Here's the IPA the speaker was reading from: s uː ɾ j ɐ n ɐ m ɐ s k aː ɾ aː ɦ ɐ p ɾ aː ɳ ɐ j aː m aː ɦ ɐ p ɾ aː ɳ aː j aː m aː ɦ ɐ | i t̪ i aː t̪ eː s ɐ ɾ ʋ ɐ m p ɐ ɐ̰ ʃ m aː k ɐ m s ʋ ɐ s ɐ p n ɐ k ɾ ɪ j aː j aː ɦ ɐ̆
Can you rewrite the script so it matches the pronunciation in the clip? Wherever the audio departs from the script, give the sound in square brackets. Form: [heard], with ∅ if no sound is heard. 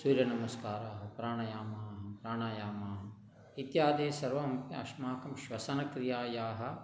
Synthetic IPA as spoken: s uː ɾ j ɐ n ɐ m ɐ s k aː ɾ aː ɦ ɐ p ɾ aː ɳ ɐ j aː m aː ɦ ɐ p ɾ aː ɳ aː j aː m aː ɦ ɐ | i t̪ [j] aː [d̪] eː s ɐ ɾ ʋ ɐ m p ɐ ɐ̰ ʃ m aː k ɐ m [ʃ] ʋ ɐ s ɐ [∅] n ɐ k ɾ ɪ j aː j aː ɦ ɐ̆